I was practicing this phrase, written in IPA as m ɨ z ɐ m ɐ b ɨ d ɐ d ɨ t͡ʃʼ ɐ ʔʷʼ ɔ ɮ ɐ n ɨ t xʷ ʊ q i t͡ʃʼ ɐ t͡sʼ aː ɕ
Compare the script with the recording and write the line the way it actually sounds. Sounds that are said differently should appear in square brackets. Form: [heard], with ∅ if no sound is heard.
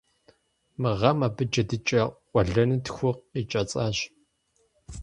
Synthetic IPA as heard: m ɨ [ʁ] ɐ m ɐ b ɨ [d͡ʒ] ɐ d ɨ t͡ʃʼ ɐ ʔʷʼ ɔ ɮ ɐ n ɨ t xʷ ʊ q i t͡ʃʼ ɐ t͡sʼ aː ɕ